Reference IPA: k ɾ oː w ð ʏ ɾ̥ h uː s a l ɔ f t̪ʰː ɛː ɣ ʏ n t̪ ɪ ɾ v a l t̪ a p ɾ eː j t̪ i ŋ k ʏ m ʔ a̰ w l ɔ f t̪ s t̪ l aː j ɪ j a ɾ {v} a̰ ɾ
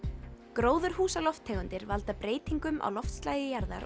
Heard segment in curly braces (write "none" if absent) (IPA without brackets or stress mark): ð